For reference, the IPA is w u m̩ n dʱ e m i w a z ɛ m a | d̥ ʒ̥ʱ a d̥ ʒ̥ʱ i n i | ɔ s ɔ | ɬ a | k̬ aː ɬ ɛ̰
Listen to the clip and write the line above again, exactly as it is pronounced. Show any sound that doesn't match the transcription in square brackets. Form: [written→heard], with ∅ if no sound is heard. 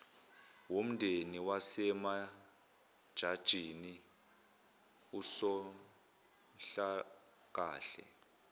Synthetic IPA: w [u→o] m̩ n dʱ e [m→n] i w a [z→s] ɛ m a | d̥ ʒ̥ʱ a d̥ ʒ̥ʱ i n i | [ɔ→u] s ɔ | ɬ a | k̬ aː ɬ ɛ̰